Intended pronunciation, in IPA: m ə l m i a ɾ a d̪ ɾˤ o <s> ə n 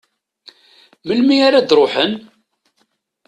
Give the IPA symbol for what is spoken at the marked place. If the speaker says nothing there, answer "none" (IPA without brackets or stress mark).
ħ